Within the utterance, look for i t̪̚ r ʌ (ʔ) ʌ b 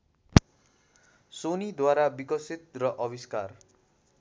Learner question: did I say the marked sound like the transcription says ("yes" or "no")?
yes